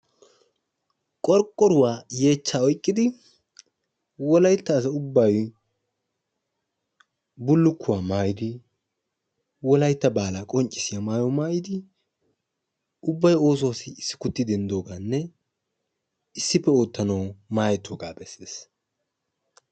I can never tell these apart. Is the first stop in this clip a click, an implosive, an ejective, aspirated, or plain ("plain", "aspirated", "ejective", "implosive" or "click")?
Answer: ejective